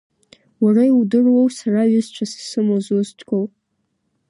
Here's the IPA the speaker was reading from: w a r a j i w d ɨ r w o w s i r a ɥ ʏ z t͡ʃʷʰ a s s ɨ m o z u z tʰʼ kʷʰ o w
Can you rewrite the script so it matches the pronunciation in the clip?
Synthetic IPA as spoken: w a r a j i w d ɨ r w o w s a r a ɥ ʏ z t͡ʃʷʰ a s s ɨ m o z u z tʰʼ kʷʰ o w